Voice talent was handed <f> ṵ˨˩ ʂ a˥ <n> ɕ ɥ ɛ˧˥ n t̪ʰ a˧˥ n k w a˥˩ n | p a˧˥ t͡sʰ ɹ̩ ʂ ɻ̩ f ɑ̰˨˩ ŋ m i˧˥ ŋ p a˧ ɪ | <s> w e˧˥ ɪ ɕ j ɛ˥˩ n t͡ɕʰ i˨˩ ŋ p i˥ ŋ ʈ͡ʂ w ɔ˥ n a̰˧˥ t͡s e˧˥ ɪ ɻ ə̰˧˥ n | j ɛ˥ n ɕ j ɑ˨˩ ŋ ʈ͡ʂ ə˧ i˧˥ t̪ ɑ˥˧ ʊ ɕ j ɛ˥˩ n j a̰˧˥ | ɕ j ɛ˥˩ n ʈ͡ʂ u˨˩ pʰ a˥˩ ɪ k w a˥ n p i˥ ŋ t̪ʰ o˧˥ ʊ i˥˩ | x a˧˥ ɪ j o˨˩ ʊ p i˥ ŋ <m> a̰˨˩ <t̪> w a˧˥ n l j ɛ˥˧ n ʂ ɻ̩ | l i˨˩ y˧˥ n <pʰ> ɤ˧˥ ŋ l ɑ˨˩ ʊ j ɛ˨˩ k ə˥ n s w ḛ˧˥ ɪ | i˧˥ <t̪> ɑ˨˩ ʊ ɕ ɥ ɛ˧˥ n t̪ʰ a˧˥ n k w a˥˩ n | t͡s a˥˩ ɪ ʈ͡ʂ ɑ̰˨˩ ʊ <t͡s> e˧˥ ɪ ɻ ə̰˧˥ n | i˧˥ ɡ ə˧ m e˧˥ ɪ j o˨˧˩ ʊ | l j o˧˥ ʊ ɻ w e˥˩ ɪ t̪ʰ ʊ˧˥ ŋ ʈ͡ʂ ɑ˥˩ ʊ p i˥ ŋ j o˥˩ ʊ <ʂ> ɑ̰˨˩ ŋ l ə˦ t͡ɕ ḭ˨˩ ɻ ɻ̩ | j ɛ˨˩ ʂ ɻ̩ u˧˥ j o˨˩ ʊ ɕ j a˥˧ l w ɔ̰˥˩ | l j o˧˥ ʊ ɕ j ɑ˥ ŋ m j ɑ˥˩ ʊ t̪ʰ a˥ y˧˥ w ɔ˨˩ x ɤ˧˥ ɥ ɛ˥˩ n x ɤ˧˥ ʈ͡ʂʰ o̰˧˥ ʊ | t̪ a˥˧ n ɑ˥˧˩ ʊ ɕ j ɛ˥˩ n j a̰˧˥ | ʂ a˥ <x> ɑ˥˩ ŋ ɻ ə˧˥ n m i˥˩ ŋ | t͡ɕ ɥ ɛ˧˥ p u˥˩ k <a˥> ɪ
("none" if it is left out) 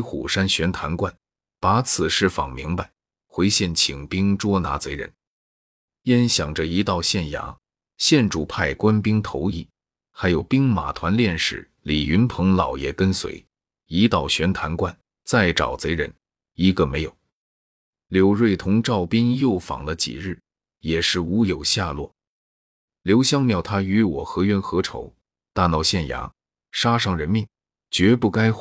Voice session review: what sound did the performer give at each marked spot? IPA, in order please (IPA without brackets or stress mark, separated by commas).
x, n, x, m, t̪ʰ, pʰ, t̪, t͡s, f, ʂ, a˥